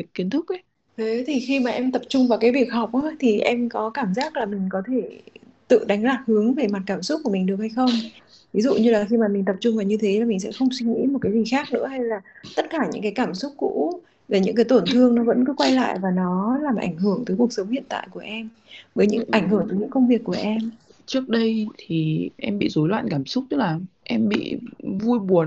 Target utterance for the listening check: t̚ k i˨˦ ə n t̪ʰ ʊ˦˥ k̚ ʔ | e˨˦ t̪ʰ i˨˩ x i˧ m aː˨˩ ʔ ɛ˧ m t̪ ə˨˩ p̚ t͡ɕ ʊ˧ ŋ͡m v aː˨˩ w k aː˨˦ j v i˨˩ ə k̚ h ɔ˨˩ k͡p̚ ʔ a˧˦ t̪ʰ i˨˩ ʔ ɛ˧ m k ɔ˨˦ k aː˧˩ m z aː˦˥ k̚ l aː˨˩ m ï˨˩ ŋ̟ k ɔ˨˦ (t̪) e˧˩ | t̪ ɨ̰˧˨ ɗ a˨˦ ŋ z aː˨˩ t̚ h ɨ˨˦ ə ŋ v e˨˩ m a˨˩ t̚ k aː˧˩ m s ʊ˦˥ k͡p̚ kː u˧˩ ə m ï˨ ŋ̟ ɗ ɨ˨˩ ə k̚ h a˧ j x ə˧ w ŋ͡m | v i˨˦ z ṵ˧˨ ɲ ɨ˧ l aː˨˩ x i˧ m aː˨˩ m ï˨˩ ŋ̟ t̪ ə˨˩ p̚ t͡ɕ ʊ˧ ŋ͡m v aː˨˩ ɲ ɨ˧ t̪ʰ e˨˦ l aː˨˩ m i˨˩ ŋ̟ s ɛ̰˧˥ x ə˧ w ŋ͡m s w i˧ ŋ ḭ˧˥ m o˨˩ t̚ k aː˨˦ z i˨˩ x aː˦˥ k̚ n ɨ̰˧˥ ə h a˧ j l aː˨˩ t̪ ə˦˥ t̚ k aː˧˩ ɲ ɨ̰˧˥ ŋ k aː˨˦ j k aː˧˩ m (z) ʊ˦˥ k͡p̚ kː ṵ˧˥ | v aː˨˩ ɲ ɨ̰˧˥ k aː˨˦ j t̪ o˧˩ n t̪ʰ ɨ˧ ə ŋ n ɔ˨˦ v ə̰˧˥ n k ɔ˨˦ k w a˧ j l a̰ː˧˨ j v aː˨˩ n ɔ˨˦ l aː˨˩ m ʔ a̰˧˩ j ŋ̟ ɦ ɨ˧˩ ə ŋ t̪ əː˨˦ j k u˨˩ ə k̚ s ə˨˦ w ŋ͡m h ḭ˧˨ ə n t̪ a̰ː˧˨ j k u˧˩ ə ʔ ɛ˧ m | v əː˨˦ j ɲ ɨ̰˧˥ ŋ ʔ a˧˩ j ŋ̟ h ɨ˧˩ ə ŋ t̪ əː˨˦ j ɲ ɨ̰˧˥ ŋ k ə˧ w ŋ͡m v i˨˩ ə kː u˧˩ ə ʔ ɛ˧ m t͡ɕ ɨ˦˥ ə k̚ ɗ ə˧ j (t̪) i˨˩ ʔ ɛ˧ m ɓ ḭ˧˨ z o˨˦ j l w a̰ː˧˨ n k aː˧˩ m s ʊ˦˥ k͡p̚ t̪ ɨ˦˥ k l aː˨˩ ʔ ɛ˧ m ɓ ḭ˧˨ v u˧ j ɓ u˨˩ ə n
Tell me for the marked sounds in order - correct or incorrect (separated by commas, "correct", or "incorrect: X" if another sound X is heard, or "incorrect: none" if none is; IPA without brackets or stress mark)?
incorrect: t̪ʰ, incorrect: s, incorrect: t̪ʰ